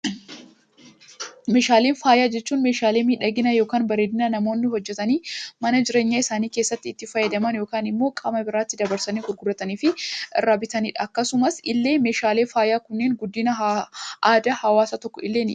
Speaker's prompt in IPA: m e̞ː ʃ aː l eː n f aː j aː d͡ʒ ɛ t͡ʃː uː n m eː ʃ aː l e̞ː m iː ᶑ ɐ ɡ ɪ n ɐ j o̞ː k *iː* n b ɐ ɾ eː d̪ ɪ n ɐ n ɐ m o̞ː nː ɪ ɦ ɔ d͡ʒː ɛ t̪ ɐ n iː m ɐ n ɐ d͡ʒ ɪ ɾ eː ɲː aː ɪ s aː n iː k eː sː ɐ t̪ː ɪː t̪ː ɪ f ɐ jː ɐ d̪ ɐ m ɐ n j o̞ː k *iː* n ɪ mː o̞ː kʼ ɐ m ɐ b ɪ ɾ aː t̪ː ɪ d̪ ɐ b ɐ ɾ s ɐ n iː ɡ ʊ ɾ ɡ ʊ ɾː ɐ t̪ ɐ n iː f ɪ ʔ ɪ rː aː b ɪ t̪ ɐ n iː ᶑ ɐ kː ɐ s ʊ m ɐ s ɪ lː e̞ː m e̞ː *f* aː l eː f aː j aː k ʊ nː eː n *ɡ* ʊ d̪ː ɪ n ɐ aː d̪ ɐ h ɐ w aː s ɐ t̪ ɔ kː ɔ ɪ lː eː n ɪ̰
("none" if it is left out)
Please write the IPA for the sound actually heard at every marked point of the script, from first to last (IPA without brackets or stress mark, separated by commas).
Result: aː, aː, ʃ, ɡ